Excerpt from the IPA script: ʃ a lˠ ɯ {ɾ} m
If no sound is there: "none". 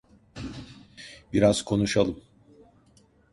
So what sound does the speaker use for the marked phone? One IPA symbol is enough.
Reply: none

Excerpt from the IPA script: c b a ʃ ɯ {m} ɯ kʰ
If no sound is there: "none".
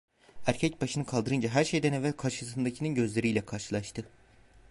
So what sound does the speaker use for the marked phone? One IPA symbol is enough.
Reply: n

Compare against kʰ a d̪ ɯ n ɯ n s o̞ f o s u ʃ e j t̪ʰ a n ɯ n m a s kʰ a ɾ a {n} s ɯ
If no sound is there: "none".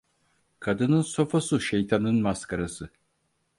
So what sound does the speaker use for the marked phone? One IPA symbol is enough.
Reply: none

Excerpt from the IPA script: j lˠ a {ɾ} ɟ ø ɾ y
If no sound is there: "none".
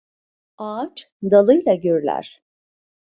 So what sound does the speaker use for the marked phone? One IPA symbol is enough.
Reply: none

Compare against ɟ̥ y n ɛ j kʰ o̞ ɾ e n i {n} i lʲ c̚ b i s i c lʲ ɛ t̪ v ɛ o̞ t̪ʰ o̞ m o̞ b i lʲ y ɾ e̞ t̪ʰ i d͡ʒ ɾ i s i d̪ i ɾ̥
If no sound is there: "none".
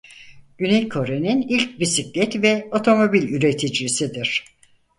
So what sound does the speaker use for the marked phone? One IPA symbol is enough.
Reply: n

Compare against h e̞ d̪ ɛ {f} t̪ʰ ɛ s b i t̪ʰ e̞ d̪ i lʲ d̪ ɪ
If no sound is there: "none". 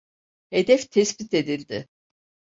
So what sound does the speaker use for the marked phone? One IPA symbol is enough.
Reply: f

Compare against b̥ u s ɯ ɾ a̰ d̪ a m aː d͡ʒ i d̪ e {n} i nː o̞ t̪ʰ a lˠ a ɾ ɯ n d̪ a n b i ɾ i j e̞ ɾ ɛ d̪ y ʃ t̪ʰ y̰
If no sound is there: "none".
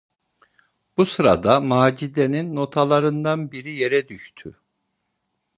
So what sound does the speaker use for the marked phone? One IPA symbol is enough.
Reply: n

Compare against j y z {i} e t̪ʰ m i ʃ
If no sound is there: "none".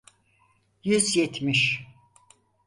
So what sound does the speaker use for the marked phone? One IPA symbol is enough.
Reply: j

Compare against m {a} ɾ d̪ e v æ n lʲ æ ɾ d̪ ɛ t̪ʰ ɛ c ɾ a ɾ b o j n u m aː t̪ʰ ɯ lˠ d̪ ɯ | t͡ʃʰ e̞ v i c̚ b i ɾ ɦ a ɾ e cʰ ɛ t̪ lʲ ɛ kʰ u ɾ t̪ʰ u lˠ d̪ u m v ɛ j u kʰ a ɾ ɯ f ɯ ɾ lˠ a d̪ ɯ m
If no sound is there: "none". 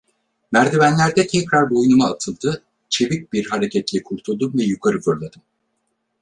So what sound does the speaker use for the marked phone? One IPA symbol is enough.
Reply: æ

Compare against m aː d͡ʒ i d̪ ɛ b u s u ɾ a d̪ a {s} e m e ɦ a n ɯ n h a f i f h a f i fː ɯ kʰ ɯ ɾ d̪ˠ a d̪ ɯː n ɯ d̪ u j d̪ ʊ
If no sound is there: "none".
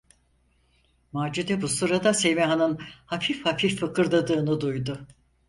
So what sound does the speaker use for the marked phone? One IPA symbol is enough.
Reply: s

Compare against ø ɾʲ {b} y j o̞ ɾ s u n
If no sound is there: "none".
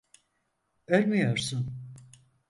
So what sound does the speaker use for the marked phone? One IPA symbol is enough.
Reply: m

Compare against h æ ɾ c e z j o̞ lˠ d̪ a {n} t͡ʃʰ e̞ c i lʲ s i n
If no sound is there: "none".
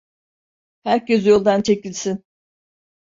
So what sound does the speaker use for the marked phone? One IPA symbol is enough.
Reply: n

